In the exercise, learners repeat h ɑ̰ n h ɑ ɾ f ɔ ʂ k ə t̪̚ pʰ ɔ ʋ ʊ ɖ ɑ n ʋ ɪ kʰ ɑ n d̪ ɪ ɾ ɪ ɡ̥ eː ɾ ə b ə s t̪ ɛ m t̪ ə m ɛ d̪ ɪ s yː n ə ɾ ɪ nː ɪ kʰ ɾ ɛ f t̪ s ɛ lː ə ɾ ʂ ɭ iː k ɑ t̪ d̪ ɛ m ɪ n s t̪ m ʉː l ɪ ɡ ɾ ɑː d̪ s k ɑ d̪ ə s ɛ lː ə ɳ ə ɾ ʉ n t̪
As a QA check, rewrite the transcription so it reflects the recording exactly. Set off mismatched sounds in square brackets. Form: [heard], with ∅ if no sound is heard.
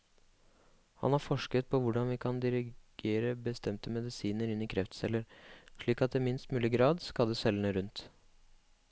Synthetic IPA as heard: h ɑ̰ n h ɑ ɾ f ɔ ʂ k ə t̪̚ pʰ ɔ ʋ ʊ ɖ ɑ n ʋ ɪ kʰ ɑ n d̪ ɪ ɾ ɪ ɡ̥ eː ɾ ə b ə s t̪ ɛ m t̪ ə m ɛ d̪ ɪ s [iː] n ə ɾ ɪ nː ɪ kʰ ɾ ɛ f t̪ s ɛ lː ə ɾ ʂ ɭ iː k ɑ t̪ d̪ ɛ m ɪ n s t̪ m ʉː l ɪ ɡ ɾ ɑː d̪ s k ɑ d̪ ə s ɛ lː ə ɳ ə ɾ ʉ n t̪